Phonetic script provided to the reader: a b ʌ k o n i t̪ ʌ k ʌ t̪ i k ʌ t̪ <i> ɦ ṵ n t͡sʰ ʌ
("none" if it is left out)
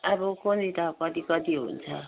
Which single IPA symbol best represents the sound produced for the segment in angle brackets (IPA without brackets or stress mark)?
i